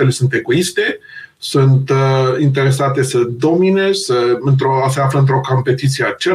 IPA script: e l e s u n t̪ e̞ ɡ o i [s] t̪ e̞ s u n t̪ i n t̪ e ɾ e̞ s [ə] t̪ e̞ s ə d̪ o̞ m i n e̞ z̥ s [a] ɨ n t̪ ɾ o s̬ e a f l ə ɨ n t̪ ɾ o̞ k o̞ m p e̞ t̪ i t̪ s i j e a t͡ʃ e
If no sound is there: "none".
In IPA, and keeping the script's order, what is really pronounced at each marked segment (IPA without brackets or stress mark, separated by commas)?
s, a, ə